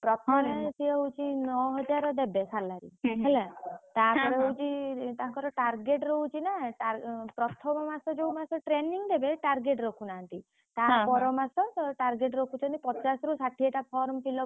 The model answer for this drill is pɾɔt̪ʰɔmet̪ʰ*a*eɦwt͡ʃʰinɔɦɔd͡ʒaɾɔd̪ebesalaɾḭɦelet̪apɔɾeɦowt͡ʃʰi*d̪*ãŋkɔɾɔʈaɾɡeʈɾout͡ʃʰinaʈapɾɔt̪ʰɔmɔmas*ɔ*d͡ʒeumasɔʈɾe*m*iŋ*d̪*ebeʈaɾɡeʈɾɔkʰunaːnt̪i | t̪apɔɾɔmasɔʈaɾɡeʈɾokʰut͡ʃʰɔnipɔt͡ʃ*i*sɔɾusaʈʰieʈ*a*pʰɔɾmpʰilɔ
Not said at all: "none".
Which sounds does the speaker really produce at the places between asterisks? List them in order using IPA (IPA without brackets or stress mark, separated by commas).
i, t̪, ɔ, n, d̪, a, a